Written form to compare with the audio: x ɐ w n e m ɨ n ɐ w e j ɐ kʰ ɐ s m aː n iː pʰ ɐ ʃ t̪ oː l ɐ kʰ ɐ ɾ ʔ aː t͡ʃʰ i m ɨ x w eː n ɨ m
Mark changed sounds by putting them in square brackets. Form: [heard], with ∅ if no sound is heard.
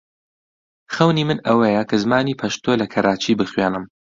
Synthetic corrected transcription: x ɐ w n [i] m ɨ n ɐ w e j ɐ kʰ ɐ [z] m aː n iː pʰ ɐ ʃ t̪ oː l ɐ kʰ ɐ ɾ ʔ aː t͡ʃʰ i [b] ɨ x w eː n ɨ m